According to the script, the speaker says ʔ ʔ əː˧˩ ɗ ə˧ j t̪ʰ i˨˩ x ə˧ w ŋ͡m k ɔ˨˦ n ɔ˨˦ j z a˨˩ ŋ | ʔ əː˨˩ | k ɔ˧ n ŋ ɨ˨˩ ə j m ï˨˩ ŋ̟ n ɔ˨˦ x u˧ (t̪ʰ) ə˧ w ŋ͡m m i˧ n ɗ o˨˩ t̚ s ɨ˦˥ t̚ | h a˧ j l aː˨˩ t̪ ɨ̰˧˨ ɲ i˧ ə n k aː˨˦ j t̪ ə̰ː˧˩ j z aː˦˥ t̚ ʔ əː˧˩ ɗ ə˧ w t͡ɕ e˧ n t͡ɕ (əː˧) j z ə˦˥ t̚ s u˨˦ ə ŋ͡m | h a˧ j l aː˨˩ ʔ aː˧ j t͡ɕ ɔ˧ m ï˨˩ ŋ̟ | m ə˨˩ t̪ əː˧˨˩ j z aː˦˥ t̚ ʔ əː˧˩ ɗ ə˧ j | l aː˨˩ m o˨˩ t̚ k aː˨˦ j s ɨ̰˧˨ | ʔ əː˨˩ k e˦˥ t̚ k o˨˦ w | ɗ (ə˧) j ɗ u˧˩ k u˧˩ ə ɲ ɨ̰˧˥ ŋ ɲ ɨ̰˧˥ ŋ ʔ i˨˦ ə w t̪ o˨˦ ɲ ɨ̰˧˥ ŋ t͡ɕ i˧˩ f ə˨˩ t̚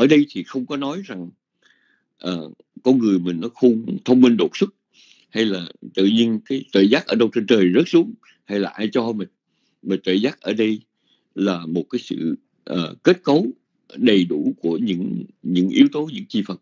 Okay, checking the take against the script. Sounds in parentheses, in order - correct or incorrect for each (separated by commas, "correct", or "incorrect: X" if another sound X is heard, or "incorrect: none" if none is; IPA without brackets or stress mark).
correct, incorrect: əː˨˩, incorrect: ə˨˩